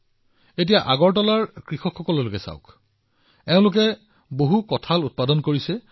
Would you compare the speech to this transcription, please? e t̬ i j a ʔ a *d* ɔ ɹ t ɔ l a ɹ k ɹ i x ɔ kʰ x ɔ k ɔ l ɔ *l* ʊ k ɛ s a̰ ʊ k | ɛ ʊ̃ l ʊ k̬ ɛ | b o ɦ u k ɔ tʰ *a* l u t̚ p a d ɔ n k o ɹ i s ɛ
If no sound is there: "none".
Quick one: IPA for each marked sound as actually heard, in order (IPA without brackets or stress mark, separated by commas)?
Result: ɡ, l, a